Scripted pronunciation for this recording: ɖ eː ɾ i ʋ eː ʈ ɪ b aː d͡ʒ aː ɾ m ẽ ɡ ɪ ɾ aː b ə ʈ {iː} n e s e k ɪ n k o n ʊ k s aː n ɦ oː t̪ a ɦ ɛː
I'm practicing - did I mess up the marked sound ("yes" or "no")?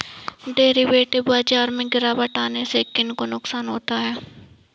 yes